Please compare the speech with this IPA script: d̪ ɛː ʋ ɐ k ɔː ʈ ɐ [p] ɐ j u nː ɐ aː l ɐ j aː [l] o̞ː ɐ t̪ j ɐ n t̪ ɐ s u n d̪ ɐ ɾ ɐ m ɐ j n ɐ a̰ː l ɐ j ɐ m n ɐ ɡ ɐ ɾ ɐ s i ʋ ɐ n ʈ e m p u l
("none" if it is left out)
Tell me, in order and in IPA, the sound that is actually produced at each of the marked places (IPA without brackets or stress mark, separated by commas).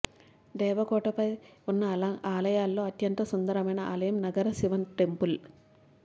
p, lː